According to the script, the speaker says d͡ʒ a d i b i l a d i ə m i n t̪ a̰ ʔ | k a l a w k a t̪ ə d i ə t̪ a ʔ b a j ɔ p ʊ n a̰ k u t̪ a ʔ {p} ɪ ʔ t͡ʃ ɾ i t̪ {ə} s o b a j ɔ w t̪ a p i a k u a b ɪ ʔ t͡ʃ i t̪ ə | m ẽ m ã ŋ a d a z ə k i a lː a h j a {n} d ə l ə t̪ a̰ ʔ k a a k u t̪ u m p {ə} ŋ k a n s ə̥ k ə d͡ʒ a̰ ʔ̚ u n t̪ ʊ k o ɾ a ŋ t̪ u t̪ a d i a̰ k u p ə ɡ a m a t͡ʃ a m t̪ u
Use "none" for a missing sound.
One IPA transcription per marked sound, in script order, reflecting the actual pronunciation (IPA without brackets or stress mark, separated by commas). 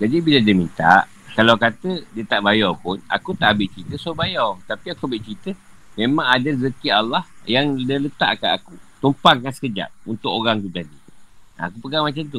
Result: b, ə, ŋ, a